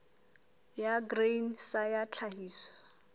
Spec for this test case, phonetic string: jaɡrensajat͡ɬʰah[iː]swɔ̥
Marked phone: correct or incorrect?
correct